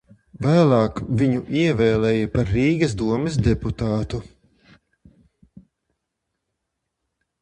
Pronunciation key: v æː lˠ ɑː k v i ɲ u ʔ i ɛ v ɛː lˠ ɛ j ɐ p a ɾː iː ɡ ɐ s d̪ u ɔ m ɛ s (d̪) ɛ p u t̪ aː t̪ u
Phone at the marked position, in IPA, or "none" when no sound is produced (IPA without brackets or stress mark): d̪